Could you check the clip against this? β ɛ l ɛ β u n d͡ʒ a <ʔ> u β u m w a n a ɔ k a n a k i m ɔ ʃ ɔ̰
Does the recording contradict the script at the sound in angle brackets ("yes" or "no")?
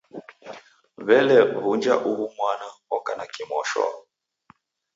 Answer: no